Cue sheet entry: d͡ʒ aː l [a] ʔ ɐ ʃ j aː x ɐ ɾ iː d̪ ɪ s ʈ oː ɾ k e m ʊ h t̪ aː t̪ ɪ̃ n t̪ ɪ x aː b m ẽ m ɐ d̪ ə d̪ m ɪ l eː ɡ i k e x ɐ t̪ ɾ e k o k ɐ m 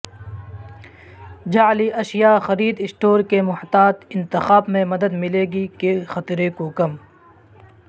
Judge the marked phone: incorrect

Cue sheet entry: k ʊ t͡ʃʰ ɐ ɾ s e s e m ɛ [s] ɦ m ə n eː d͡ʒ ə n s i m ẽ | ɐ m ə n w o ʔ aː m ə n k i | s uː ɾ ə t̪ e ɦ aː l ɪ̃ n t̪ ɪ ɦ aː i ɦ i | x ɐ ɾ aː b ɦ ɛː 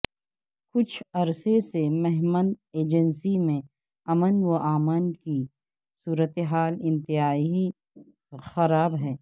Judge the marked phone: incorrect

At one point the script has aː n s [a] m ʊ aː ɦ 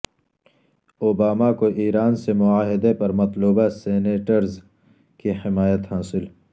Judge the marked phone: incorrect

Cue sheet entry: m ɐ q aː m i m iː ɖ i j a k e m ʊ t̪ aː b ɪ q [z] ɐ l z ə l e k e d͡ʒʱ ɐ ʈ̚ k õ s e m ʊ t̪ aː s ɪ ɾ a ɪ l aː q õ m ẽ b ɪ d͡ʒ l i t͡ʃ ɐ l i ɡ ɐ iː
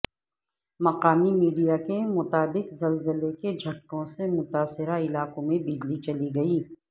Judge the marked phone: correct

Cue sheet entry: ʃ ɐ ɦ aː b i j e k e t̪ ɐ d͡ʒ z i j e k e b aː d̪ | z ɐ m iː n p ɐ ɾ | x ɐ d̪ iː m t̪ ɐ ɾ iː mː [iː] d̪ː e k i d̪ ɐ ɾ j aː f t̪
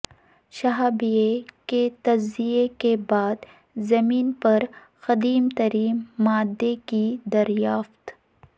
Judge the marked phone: incorrect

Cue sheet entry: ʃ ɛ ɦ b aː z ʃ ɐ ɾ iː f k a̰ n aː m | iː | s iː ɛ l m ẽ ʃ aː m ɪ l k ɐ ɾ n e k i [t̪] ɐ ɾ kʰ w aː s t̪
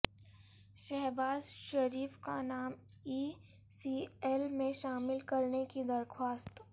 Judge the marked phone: incorrect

